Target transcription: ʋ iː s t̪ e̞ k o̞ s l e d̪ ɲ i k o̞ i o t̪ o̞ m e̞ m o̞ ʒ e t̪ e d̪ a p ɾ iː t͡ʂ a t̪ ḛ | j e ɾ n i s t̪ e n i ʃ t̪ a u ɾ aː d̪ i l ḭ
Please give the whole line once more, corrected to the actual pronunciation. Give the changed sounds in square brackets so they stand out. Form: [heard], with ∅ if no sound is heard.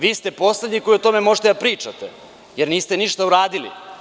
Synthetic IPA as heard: ʋ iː s t̪ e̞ [p] o̞ s l e d̪ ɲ i k o̞ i o t̪ o̞ m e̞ m o̞ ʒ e t̪ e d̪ a p ɾ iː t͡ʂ a t̪ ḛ | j e ɾ n [iː] s t̪ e n i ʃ t̪ a u ɾ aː d̪ i l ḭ